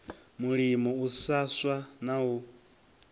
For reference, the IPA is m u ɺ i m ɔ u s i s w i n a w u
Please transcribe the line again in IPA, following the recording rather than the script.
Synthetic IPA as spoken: m u ɺ i m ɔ u s a s w a n a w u